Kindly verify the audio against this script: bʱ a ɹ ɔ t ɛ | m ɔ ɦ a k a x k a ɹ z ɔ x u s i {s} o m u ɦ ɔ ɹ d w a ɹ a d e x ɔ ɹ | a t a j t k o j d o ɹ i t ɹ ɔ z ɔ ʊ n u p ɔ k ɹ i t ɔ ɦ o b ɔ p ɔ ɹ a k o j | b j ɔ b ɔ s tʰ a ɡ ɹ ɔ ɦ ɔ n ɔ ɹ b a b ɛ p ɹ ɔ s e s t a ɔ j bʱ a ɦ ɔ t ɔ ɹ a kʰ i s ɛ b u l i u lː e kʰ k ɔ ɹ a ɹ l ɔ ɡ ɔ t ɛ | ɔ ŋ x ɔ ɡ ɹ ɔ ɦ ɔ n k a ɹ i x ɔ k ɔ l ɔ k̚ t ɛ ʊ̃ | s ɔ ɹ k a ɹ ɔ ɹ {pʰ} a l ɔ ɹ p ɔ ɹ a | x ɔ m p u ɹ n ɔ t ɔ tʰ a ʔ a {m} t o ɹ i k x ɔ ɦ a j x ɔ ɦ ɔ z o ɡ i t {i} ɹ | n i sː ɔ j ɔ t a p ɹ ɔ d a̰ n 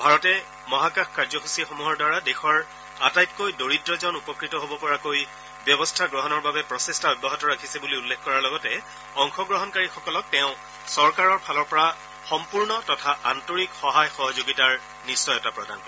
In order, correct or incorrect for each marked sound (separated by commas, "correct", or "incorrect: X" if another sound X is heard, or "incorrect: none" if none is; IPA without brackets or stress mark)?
incorrect: x, correct, incorrect: n, incorrect: a